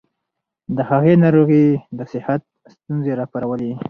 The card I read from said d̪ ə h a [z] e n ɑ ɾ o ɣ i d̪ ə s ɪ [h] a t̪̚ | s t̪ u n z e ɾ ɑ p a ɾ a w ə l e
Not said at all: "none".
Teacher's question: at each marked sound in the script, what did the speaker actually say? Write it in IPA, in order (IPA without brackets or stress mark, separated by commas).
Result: ɣ, h